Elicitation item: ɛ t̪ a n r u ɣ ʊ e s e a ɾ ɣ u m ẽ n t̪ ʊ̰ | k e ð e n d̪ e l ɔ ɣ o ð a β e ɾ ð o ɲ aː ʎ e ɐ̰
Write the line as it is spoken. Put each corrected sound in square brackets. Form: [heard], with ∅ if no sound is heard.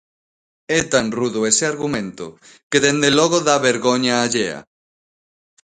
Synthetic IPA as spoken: ɛ t̪ a n r u [ð] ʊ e s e a ɾ ɣ u m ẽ n t̪ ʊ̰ | k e ð e n d̪ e l ɔ ɣ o ð a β e ɾ [ɣ] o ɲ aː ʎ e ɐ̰